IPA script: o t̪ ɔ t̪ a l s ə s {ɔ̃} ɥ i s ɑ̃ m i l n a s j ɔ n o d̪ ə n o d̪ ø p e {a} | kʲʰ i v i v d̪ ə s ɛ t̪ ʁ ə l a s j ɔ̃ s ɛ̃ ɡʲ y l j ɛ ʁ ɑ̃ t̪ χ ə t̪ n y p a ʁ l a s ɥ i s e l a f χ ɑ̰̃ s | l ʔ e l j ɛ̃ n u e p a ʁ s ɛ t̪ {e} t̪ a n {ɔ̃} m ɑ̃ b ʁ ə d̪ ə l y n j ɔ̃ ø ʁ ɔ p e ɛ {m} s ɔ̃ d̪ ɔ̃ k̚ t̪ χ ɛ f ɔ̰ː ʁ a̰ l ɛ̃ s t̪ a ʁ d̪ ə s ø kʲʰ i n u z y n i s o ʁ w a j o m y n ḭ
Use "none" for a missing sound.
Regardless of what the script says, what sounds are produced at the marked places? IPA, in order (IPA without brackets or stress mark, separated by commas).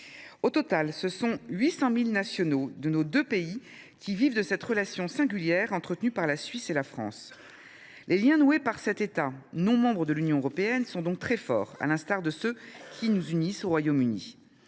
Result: ɔ̃, i, e, ɔ̃, n